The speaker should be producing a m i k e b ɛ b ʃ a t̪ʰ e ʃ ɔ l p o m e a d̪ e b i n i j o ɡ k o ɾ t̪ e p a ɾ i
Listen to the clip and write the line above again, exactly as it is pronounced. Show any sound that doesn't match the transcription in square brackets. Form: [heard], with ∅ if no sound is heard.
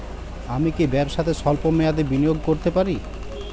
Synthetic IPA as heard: a m i k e b ɛ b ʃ a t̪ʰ e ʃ ɔ l p o m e a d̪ e b i n i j o ɡ k o ɾ t̪ e p a ɾ i

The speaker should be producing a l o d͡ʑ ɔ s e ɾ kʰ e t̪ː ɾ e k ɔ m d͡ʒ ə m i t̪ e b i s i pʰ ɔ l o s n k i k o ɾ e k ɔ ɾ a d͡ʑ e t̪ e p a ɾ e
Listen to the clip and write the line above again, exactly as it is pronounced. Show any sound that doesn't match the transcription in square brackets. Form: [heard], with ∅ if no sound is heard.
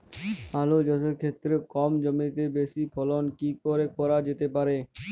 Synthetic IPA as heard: a l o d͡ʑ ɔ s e ɾ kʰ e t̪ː ɾ e k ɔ m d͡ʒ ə m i t̪ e b [e] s i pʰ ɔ l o [∅] n k i k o ɾ e k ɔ ɾ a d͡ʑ e t̪ e p a ɾ e

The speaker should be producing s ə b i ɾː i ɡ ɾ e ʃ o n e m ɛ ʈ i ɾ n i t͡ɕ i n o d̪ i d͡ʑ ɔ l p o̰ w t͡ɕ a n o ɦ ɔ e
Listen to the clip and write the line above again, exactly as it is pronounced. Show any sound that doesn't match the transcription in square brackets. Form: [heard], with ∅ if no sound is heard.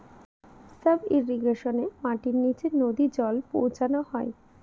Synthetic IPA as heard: s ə b i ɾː i ɡ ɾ e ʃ o n e m [a] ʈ i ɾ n i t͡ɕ [e] n o d̪ i d͡ʑ ɔ l p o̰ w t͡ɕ a n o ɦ ɔ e

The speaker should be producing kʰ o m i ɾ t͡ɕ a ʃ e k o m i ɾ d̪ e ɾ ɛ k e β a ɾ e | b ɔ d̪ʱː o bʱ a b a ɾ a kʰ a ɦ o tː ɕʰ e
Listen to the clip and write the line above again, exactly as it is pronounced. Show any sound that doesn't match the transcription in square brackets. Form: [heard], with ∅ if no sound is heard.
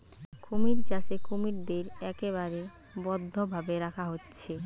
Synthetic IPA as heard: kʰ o m i ɾ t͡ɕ a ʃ e k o m i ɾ d̪ e ɾ ɛ k e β a ɾ e | b ɔ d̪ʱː o bʱ a b [e] ɾ a kʰ a ɦ o tː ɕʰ e

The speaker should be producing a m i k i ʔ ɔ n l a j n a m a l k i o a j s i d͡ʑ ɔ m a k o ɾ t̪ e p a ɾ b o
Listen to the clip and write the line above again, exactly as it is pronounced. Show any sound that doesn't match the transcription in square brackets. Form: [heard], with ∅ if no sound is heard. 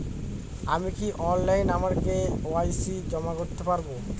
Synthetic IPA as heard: a m i k i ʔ ɔ n l a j n a m a [ɾ] k [e] o a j s i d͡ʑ ɔ m a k o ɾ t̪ e p a ɾ b o

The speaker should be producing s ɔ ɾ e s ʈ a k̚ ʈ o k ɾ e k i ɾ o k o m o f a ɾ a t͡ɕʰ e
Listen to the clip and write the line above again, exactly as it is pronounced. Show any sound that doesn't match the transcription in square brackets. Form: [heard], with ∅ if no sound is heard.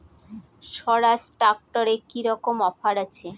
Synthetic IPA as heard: [ʃ] ɔ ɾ [a] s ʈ a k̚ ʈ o [∅] ɾ e k i ɾ [ɔ] k o m [ɔ] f a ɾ a t͡ɕʰ e

